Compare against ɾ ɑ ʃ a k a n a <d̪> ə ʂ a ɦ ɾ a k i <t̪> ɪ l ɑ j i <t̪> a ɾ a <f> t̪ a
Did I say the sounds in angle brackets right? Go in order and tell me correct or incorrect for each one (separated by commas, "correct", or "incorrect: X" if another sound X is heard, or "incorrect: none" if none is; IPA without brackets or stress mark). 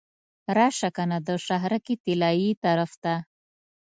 correct, correct, correct, correct